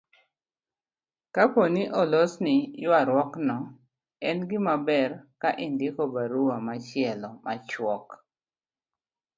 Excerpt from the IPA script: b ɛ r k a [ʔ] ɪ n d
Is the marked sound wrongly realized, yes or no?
no